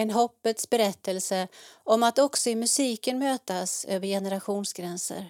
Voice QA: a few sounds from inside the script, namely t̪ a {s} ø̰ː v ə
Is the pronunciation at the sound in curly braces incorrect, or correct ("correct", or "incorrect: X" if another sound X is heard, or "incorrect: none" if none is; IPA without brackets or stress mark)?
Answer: correct